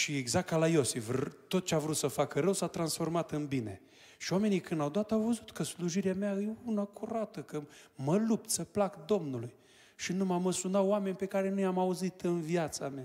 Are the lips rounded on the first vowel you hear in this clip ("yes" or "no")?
no